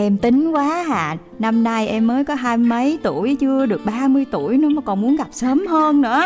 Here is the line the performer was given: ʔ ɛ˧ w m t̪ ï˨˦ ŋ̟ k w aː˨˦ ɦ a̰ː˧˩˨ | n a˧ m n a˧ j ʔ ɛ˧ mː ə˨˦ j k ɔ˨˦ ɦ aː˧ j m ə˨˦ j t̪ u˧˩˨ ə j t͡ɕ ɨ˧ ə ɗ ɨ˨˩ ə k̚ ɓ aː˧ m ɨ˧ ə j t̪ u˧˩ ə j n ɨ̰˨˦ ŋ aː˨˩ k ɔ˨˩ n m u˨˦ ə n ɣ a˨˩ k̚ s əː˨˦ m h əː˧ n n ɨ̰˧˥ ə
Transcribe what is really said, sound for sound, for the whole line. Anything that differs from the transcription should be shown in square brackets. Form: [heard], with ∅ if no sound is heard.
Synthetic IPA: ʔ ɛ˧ [∅] m t̪ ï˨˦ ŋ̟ k w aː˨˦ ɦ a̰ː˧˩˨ | n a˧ m n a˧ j ʔ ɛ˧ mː [əː˨˦] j k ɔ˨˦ ɦ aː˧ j m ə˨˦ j t̪ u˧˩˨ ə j t͡ɕ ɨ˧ ə ɗ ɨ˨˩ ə k̚ ɓ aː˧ m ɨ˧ ə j t̪ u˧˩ ə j n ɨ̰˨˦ [m] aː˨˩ k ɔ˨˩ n m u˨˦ ə n ɣ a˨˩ [p̚] s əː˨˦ m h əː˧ n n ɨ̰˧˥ ə